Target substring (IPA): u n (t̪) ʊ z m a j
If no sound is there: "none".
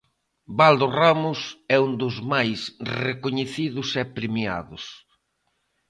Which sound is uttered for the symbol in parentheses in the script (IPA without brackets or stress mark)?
d̪